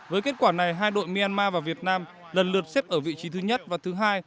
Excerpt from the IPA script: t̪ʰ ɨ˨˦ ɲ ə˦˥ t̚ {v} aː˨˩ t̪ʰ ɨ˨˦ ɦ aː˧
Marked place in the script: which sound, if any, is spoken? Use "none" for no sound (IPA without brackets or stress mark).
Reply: v